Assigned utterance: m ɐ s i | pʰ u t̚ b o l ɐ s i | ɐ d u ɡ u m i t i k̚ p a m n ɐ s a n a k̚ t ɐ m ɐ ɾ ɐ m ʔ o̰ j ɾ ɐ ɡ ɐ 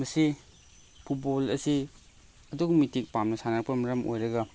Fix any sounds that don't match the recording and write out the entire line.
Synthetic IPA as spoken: m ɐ s i | pʰ u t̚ b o l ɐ s i | ɐ d u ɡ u m i t i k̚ p a m n ɐ s a n a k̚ p ɐ m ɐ ɾ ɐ m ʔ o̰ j ɾ ɐ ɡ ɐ